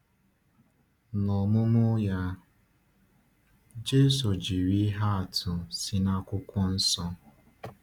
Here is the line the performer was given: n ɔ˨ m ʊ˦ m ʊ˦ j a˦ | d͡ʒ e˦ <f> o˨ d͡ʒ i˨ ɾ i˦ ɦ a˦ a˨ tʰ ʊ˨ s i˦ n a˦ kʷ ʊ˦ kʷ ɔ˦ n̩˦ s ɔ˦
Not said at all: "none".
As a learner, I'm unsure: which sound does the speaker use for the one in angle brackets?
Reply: s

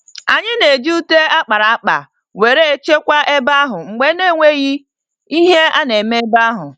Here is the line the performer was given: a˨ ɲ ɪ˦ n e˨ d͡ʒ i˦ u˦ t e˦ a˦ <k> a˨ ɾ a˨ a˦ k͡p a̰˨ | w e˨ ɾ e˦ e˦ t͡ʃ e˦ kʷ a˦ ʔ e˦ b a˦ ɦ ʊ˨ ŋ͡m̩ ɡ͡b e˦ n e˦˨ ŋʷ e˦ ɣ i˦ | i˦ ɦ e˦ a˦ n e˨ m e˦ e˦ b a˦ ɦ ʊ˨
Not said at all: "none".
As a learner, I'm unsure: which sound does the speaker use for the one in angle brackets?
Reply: k͡p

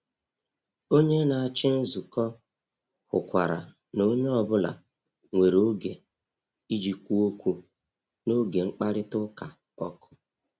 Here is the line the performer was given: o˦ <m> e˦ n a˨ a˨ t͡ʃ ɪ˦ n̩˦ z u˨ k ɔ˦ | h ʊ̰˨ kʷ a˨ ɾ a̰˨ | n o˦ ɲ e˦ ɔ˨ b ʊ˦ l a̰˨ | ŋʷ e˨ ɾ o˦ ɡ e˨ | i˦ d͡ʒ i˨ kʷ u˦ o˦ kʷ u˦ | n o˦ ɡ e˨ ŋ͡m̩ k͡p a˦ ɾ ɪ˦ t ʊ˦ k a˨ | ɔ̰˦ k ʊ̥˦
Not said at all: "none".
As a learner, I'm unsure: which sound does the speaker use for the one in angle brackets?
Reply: ɲ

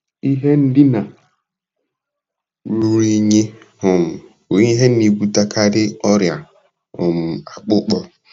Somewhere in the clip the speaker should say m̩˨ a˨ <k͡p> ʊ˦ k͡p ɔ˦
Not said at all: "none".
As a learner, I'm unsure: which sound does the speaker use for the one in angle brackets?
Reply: k͡p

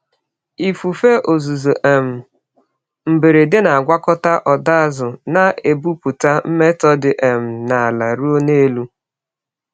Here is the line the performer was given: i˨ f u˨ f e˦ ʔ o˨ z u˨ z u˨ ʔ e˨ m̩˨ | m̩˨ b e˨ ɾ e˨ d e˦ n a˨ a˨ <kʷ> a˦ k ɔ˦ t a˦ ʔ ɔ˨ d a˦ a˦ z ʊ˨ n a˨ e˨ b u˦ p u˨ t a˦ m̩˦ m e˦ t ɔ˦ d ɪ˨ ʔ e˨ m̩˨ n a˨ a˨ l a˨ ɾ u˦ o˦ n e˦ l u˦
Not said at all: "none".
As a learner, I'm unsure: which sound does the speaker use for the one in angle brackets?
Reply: ɡʷ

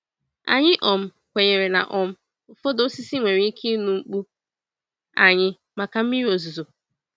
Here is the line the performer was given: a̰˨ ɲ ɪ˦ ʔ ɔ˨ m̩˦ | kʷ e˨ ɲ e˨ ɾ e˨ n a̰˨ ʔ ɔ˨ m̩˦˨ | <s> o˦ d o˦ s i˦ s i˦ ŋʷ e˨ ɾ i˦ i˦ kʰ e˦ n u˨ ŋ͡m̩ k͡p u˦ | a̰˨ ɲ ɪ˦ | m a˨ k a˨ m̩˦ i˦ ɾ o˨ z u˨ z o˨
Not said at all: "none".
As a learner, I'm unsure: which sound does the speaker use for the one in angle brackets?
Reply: f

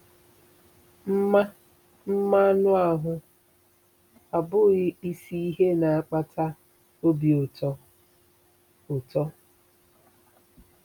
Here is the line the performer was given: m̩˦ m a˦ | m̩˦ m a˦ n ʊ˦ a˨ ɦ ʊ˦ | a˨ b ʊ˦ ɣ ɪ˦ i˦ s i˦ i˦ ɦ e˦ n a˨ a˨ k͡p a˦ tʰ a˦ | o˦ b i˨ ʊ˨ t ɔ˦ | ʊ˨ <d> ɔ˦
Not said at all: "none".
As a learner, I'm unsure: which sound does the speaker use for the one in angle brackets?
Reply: t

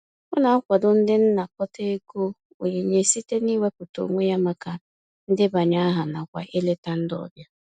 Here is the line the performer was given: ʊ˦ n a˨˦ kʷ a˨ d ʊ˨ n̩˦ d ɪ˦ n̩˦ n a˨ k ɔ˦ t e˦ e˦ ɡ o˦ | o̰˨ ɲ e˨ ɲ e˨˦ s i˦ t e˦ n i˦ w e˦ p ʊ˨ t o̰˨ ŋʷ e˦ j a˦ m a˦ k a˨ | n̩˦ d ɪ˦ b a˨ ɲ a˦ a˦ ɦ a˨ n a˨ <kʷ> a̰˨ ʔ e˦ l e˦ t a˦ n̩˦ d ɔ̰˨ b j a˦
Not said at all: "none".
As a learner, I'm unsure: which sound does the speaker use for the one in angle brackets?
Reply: kʷ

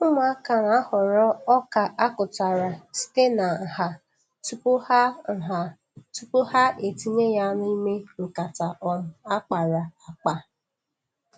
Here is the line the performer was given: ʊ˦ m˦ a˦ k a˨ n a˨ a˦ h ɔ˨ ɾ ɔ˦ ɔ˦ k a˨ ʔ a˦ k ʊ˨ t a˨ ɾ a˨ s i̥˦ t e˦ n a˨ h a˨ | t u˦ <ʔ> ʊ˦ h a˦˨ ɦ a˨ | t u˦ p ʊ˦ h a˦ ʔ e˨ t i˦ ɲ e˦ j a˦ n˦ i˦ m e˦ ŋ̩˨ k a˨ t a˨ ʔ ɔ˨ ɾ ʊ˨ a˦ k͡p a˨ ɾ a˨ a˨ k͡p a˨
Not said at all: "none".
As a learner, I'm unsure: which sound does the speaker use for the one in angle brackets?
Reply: p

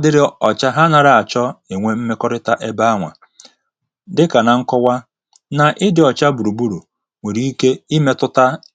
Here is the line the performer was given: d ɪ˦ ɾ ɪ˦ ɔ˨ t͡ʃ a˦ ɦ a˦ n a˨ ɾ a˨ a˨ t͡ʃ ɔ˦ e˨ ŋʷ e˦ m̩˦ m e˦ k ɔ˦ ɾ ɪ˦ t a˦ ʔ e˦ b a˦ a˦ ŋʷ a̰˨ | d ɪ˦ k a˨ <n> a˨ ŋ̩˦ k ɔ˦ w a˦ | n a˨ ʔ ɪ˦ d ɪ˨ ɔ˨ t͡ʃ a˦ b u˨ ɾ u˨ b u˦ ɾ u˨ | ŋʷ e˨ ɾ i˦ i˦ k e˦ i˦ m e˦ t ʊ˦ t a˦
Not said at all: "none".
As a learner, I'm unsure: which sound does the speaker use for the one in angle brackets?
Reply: n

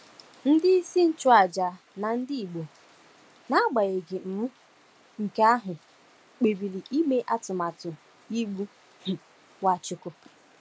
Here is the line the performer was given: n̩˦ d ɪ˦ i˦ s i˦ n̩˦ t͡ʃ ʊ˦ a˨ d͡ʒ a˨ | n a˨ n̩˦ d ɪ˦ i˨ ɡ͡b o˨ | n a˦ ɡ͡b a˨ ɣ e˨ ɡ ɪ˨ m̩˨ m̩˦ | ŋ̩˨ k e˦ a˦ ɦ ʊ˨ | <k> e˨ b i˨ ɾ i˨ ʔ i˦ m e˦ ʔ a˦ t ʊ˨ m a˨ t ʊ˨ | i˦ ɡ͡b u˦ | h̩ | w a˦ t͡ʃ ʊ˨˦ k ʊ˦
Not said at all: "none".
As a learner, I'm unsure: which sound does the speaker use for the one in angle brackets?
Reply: k͡p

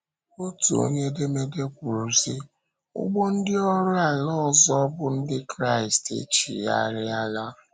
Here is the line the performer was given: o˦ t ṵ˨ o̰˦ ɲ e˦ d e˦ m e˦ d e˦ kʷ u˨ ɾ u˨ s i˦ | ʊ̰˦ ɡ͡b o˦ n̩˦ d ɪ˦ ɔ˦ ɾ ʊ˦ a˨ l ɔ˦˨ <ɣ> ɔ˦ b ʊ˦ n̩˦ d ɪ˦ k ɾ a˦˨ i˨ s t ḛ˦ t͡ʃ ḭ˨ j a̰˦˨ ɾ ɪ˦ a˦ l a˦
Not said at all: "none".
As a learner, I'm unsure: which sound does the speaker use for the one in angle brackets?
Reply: z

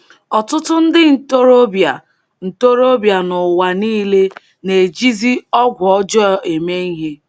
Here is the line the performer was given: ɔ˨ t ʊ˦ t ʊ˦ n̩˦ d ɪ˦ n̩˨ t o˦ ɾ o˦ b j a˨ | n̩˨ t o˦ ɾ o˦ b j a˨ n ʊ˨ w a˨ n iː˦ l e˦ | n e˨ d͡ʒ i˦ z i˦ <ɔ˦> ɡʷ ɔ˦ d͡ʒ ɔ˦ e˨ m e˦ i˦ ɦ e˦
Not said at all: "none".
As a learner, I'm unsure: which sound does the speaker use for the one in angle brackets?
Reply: ɔ˦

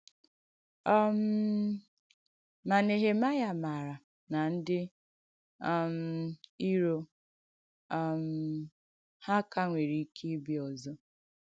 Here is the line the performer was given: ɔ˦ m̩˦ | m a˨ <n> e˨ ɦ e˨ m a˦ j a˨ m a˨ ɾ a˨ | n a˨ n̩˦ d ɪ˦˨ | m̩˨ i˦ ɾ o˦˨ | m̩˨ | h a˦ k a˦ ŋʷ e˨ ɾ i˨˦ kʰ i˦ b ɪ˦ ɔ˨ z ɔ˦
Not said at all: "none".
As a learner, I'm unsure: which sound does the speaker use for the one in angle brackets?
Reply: n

